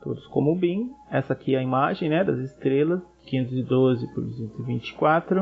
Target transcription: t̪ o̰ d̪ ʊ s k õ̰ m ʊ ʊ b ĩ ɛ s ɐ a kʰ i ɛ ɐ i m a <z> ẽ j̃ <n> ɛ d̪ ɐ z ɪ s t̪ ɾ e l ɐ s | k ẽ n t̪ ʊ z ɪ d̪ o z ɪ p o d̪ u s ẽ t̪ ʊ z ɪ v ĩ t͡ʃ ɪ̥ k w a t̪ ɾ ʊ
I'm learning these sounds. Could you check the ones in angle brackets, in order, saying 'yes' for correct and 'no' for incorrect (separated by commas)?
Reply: no, yes